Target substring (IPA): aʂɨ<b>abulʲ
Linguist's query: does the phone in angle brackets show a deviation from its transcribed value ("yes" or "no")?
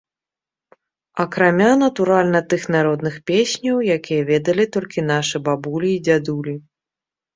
no